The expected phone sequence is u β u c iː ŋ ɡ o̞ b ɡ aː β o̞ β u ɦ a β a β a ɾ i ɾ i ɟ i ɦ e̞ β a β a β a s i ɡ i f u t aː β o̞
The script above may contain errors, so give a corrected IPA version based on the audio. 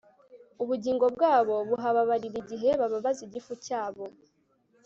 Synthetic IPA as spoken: u β u ɟ iː ŋ ɡ o̞ b ɡ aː β o̞ β u ɦ a β a β a ɾ i ɾ i ɟ i ɦ e̞ β a β a β a z i ɟ i f u c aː β o̞